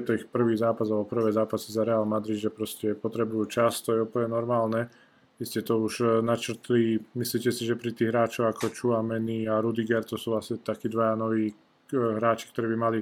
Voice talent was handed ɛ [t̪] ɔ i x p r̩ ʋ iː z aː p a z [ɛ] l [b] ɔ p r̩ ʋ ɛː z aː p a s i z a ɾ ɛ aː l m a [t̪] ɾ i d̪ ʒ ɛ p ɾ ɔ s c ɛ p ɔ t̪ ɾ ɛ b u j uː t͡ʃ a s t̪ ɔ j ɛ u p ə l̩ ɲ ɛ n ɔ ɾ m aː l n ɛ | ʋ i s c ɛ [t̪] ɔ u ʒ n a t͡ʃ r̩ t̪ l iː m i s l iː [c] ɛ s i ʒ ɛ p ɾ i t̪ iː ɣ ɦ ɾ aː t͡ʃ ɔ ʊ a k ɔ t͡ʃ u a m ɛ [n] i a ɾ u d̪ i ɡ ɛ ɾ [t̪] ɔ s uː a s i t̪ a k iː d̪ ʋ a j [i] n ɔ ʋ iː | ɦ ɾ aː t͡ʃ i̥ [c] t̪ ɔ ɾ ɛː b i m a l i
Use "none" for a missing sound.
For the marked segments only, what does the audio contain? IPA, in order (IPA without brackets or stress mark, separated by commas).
t̪, a, b, d̪, t̪, c, n, t̪, a, k